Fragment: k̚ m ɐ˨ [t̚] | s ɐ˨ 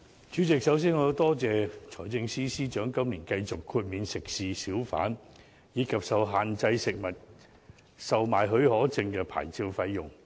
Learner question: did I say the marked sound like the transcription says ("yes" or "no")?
yes